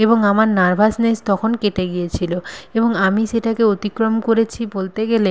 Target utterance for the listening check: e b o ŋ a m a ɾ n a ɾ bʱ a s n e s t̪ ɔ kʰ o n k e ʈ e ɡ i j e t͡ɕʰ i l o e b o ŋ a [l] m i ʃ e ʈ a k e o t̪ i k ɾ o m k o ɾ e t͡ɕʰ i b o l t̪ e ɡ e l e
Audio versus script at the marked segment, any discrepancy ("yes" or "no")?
yes